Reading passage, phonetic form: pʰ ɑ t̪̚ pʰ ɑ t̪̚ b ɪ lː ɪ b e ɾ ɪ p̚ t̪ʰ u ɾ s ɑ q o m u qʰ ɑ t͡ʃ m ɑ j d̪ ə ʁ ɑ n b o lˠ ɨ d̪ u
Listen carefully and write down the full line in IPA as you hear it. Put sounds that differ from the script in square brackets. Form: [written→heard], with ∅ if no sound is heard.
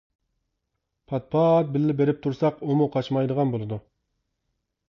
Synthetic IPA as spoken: pʰ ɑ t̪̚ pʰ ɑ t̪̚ b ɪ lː ɪ b e ɾ ɪ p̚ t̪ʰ u ɾ s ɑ q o m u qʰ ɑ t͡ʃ m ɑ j d̪ ə ʁ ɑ n b o lˠ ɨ d̪ u

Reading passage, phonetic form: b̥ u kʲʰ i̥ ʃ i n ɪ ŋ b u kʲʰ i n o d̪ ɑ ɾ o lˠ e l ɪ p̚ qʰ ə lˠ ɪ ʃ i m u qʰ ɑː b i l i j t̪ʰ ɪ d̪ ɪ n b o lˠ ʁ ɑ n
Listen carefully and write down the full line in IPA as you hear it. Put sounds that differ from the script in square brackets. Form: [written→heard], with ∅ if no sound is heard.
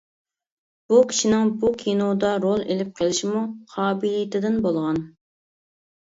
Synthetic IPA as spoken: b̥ u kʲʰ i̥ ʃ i n ɪ ŋ b u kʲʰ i n o d̪ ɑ ɾ o lˠ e l ɪ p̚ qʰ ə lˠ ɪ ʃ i m u qʰ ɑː b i l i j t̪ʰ ɪ d̪ ɪ n b o lˠ ʁ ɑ n

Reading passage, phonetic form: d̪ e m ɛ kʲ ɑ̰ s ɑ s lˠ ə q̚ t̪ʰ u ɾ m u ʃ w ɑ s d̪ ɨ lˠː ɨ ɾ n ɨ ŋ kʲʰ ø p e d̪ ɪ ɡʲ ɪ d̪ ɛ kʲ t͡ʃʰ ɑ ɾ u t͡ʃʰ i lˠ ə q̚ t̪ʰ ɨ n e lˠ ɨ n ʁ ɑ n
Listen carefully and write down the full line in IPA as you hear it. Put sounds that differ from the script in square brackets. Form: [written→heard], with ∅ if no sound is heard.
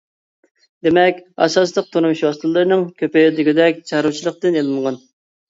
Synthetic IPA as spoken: d̪ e m ɛ kʲ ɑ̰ s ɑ s lˠ ə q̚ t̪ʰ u ɾ m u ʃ w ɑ s [d̪→t̪] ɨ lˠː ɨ ɾ n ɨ ŋ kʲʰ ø p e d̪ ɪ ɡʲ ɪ d̪ ɛ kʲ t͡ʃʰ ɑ ɾ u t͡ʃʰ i lˠ ə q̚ [t̪ʰ→t̪] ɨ n e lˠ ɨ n ʁ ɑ n

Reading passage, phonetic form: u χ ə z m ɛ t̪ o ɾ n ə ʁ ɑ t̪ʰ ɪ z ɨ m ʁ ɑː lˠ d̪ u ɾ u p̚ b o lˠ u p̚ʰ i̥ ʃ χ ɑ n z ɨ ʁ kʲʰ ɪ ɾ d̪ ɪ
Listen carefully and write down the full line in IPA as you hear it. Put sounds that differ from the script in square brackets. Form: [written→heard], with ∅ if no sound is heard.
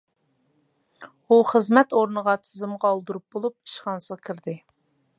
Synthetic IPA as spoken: u χ ə z m ɛ t̪ o ɾ n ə ʁ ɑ t̪ʰ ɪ z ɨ m ʁ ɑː lˠ d̪ u ɾ u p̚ b o lˠ u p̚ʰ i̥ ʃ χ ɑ n [z→s] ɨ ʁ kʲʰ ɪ ɾ d̪ ɪ

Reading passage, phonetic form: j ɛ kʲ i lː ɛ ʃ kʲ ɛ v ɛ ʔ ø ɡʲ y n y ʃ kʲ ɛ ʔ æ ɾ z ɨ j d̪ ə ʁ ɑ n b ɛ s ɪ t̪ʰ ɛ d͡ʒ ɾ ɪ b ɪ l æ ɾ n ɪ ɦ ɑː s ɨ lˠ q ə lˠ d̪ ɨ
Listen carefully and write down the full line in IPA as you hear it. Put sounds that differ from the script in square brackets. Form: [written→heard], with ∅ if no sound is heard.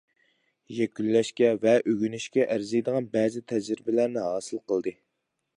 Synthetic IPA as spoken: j ɛ kʲ [i→y] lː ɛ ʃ kʲ ɛ v ɛ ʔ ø ɡʲ y n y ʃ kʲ ɛ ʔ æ ɾ z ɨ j d̪ ə ʁ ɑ n b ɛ [s→z] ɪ t̪ʰ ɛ d͡ʒ ɾ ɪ b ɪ l æ ɾ n ɪ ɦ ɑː s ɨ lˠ q ə lˠ d̪ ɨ

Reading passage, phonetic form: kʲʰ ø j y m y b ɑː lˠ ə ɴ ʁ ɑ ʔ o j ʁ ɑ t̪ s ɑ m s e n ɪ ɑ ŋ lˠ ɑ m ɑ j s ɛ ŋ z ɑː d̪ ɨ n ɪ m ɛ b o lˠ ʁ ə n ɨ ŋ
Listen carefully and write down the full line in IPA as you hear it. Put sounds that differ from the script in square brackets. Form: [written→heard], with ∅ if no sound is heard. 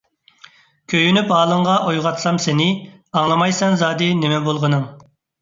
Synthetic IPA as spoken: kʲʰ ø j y [m→n] y [b→p] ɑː lˠ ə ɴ ʁ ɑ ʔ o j ʁ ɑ t̪ s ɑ m s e n ɪ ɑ ŋ lˠ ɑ m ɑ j s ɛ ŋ z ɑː d̪ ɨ n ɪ m ɛ b o lˠ ʁ ə n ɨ ŋ

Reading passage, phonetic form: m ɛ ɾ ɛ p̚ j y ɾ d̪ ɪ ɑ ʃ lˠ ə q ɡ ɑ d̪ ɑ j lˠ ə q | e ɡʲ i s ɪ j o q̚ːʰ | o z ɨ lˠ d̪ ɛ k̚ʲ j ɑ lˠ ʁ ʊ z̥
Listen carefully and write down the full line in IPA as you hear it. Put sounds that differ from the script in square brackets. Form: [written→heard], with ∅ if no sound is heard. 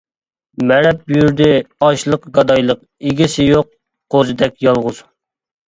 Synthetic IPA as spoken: m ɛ ɾ ɛ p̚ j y ɾ d̪ ɪ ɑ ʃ lˠ ə q ɡ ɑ d̪ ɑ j lˠ ə q | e ɡʲ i s ɪ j o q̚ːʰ | o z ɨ [lˠ→∅] d̪ ɛ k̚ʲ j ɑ lˠ ʁ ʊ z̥

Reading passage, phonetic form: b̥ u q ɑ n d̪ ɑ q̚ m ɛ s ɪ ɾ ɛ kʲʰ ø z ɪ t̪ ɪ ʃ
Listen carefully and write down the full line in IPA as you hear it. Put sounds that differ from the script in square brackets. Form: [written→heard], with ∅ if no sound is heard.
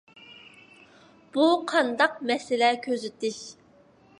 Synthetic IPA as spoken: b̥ u [q→qʰ] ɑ n d̪ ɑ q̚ m ɛ s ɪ [ɾ→l] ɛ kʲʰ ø z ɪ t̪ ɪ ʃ

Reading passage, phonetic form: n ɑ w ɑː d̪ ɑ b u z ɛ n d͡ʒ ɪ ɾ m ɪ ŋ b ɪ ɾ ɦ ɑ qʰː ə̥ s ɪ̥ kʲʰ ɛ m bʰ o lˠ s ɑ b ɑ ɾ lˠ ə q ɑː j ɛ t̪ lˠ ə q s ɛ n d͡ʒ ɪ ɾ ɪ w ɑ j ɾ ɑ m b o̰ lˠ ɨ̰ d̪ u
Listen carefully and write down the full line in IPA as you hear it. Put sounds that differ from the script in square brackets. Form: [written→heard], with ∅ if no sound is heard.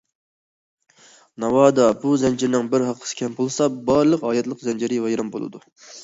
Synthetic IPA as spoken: n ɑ w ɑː d̪ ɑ b u z ɛ n d͡ʒ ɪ ɾ [m→n] ɪ ŋ b ɪ ɾ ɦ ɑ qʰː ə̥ s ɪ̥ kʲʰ ɛ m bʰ o lˠ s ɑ b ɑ ɾ lˠ ə q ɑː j ɛ t̪ lˠ ə q [s→z] ɛ n d͡ʒ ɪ ɾ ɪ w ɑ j ɾ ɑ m b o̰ lˠ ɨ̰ d̪ u

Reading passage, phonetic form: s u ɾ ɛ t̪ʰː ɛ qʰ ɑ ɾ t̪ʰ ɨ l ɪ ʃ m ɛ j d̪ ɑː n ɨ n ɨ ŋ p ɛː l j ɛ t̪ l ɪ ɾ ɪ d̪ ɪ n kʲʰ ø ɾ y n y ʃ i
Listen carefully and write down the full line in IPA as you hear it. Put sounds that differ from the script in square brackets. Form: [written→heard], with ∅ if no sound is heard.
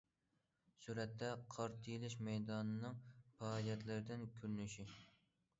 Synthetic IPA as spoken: s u ɾ ɛ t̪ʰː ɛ qʰ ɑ ɾ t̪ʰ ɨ l ɪ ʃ m ɛ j d̪ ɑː n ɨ n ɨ ŋ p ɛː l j ɛ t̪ l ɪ ɾ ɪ d̪ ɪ n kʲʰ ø ɾ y n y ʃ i

